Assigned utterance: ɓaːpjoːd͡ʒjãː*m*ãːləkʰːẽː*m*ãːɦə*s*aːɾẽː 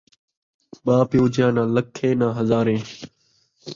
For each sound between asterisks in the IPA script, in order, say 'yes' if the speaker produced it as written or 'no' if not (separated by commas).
no, no, no